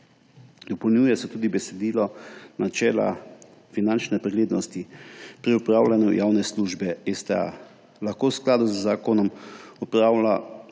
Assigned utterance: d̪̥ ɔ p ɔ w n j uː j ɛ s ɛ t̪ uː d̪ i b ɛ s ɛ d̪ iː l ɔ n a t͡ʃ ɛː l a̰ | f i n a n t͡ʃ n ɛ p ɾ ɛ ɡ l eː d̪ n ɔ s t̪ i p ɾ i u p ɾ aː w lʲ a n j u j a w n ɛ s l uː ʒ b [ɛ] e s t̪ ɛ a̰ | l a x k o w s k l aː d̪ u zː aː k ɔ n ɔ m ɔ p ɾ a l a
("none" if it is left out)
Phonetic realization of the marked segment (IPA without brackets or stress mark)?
ɛ